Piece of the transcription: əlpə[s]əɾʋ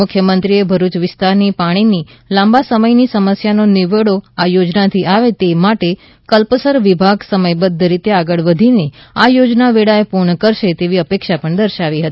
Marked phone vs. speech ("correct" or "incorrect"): correct